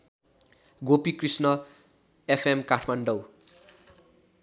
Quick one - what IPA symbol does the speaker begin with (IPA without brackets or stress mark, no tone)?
ɡ